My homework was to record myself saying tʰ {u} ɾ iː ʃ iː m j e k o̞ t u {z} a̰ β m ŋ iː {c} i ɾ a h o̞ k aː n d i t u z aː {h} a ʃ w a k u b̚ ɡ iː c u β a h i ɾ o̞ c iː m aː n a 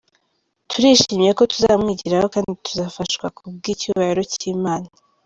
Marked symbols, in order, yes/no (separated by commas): yes, yes, no, no